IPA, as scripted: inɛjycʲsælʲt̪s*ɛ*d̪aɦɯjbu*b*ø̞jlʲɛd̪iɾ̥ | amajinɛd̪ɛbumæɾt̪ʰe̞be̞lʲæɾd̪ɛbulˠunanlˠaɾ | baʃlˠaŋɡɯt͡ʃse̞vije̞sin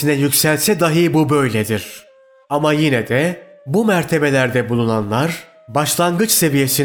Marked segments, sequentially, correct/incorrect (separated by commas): correct, correct